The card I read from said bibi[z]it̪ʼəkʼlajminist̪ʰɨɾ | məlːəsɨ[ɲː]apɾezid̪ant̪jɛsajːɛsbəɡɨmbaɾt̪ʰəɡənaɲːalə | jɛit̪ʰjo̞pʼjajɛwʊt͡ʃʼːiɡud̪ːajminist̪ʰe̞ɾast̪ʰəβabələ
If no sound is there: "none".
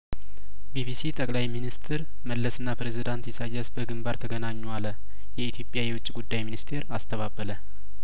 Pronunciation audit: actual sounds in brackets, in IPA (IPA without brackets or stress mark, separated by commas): s, nː